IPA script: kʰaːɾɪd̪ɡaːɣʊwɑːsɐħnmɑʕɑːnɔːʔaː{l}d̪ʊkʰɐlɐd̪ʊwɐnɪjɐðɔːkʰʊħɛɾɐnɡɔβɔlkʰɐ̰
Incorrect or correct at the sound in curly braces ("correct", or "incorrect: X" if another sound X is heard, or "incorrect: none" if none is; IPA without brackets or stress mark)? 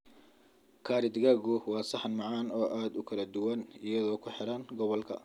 incorrect: none